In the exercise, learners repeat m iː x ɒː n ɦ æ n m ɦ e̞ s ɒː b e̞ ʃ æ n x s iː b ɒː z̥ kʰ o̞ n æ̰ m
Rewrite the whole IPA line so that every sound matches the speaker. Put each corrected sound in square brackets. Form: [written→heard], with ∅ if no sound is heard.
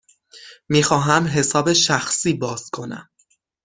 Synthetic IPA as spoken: m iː x ɒː [n→∅] ɦ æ [n→∅] m ɦ e̞ s ɒː b e̞ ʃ æ [n→∅] x s iː b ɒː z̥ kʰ o̞ n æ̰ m